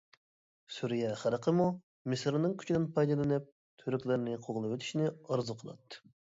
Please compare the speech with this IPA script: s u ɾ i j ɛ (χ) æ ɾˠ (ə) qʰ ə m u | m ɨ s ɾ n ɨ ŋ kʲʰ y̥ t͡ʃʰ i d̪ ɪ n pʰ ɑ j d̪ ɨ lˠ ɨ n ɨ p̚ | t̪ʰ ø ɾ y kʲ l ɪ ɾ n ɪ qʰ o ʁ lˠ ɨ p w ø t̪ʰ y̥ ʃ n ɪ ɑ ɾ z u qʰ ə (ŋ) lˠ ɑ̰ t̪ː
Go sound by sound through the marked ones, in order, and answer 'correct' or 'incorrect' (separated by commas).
correct, correct, incorrect